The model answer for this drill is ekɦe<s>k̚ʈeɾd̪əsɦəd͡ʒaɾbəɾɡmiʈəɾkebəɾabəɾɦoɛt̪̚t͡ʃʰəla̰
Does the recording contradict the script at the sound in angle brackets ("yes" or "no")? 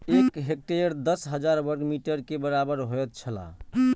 yes